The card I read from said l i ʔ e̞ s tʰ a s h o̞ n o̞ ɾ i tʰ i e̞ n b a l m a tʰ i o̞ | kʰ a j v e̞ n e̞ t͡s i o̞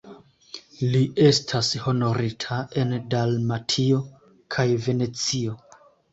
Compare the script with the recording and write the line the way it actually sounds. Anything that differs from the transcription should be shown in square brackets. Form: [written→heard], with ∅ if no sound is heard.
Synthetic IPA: l i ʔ e̞ s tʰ a s h o̞ n o̞ ɾ i tʰ [i→a] e̞ n [b→d] a l m a tʰ i o̞ | kʰ a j v e̞ n e̞ t͡s i o̞